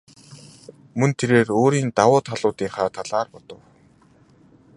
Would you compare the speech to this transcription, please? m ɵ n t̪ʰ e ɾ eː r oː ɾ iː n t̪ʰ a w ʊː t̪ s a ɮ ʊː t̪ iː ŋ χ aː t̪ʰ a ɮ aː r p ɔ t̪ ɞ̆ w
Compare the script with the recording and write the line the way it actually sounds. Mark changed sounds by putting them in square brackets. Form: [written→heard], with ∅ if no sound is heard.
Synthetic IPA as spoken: m ɵ n t̪ʰ e ɾ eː r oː ɾ iː n [t̪ʰ→t̪] a w ʊː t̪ [s→χ] a ɮ ʊː t̪ iː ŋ χ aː t̪ʰ a ɮ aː r p ɔ t̪ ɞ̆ w

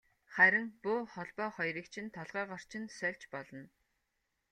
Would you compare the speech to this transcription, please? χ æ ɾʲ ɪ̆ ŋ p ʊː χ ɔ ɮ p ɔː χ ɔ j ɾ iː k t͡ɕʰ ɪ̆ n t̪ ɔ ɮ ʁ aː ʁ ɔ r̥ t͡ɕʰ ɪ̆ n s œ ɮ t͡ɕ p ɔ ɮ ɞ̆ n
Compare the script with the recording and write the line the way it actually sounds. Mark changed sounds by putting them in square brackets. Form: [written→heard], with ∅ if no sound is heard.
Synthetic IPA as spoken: χ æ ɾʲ ɪ̆ ŋ p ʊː χ ɔ ɮ p ɔː χ ɔ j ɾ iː k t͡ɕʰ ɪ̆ n [t̪→t̪ʰ] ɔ ɮ ʁ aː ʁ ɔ r̥ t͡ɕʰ ɪ̆ n s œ ɮ t͡ɕ p ɔ ɮ ɞ̆ n

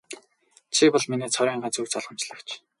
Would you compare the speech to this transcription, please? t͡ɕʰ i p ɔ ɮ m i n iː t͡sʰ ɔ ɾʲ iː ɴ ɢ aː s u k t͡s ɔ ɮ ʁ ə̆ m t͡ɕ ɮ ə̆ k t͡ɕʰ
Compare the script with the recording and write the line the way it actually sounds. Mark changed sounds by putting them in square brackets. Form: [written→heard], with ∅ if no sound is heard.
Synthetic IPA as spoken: t͡ɕʰ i p ɔ ɮ m i n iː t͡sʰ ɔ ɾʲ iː ɴ ɢ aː [s→t͡s] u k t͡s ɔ ɮ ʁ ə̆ m t͡ɕ ɮ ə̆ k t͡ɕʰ

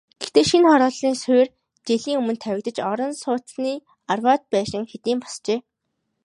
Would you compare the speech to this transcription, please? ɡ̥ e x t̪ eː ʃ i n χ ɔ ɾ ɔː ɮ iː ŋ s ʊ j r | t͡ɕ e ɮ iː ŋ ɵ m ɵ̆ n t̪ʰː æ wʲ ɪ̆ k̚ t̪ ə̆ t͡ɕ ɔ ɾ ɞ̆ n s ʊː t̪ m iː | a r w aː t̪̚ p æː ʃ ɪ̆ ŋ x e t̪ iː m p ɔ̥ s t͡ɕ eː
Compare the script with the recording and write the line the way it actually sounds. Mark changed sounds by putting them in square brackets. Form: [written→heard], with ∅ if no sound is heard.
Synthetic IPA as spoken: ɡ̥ e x t̪ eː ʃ i n χ ɔ ɾ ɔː ɮ iː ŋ s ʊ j r | t͡ɕ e ɮ iː ŋ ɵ m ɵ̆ n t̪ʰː æ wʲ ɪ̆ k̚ t̪ ə̆ t͡ɕ ɔ ɾ ɞ̆ n s ʊː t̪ [m→n] iː | a r w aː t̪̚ p æː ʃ ɪ̆ ŋ x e t̪ iː m p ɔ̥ s t͡ɕ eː

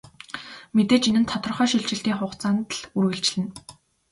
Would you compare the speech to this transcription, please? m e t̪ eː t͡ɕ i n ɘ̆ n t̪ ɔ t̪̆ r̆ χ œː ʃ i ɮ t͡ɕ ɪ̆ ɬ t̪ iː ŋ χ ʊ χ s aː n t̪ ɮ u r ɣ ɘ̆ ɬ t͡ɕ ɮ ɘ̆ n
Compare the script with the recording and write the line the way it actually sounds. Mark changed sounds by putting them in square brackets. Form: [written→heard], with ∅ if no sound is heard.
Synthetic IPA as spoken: m e t̪ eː t͡ɕ i n ɘ̆ n [t̪→t̪ʰ] ɔ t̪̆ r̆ χ œː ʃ i ɮ t͡ɕ ɪ̆ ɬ t̪ iː ŋ χ ʊ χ [s→t͡s] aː n t̪ ɮ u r ɣ ɘ̆ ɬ t͡ɕ ɮ ɘ̆ n

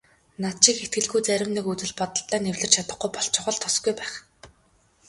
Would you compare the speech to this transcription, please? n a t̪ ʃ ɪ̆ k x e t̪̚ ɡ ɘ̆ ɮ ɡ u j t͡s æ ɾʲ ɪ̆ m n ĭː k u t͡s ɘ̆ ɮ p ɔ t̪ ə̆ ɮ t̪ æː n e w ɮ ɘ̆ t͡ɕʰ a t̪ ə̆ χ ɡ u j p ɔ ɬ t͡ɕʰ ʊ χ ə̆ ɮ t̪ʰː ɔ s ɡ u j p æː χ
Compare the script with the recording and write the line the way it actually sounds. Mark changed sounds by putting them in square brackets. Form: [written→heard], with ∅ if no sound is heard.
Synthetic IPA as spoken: n a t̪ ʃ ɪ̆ k x e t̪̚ ɡ ɘ̆ ɮ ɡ u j t͡s æ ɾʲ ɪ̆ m n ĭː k u t͡s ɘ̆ ɮ p ɔ t̪ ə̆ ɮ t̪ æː n e w ɮ ɘ̆ t͡ɕʰ a t̪ ə̆ χ ɡ u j p ɔ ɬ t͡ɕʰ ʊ χ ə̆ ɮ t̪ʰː ɔ s ɡ u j p æː χ

